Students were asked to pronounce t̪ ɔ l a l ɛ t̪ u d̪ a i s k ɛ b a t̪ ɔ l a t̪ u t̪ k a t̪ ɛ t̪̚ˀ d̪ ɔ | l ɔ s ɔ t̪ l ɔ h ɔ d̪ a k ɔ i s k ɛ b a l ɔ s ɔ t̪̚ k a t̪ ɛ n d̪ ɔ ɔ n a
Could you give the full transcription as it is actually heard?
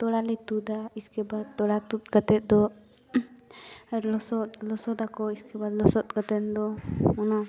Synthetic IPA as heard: t̪ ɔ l a l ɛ t̪ u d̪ a i s k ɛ b a t̪ ɔ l a t̪ u t̪ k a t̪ ɛ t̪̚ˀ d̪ ɔ | l ɔ s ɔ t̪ l ɔ s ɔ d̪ a k ɔ i s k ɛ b a l ɔ s ɔ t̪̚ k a t̪ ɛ n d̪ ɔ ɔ n a